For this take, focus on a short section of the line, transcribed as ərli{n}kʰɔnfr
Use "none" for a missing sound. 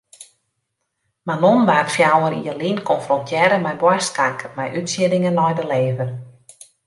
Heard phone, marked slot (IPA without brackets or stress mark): n